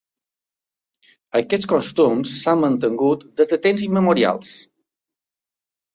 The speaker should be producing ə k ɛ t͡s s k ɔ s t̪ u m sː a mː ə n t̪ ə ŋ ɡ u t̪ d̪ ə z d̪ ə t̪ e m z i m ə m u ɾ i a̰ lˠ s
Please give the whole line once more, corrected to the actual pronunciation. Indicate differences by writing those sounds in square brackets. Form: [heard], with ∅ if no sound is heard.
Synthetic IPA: ə k ɛ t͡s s k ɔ s t̪ u m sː a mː ə n t̪ ə ŋ ɡ u t̪ d̪ ə z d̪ ə t̪ e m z i m ə m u ɾ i a̰ lˠ s